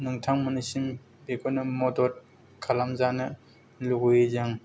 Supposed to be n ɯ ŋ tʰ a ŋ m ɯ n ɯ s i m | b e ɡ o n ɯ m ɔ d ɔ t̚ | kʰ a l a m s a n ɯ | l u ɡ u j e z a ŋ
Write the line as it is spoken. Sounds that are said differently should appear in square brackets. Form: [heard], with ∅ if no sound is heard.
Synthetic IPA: n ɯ ŋ tʰ a ŋ m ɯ n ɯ s i m | b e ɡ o n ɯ m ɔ d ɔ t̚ | kʰ a l a m [z] a n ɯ | l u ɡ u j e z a ŋ